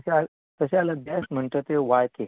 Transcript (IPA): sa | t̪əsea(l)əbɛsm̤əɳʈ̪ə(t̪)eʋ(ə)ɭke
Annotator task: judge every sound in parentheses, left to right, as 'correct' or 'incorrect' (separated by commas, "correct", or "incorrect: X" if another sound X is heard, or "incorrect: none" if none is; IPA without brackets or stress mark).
correct, correct, incorrect: a